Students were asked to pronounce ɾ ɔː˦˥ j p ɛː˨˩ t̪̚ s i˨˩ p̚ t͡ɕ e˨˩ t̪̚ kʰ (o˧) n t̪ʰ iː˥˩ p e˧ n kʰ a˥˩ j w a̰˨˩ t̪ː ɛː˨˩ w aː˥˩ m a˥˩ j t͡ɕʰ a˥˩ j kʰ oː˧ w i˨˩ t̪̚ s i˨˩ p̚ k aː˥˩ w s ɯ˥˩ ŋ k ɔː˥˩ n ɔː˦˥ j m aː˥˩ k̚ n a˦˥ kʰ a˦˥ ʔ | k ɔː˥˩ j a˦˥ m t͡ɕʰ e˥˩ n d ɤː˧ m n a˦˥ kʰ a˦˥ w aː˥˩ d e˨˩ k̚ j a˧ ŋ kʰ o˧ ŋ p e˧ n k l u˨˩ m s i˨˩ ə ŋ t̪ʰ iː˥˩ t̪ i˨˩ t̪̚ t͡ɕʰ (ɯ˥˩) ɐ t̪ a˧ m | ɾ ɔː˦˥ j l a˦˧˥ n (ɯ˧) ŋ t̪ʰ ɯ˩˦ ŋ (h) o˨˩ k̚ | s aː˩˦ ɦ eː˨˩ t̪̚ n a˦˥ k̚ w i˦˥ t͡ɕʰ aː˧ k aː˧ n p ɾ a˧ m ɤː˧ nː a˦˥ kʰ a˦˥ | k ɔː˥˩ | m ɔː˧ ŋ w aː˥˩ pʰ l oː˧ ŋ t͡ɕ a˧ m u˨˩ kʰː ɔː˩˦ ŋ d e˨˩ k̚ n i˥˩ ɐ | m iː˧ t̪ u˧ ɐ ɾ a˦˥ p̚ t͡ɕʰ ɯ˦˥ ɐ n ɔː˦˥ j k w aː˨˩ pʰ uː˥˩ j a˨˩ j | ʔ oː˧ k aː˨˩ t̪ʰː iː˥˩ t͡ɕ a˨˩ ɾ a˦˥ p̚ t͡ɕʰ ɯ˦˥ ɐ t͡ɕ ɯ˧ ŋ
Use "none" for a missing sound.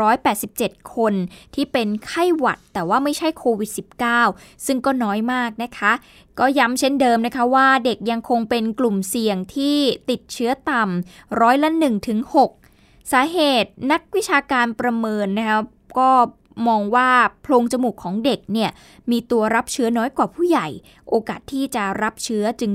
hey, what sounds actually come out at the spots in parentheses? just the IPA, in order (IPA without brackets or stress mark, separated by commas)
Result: o˧, ɯ˦˥, ɯ˨˩, h